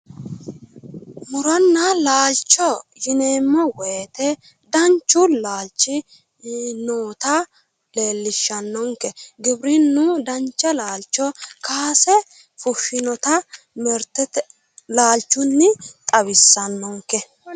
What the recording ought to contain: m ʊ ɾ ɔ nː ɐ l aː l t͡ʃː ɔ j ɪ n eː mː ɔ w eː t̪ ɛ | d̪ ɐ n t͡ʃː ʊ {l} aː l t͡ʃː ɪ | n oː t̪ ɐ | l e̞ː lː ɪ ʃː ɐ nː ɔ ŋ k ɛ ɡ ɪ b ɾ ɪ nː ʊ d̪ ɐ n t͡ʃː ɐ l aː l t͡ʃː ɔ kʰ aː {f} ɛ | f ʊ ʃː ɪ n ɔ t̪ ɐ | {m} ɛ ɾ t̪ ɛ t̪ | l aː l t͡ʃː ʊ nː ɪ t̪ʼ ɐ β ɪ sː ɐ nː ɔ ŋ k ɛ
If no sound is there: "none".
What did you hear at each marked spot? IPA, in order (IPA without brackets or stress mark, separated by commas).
l, s, m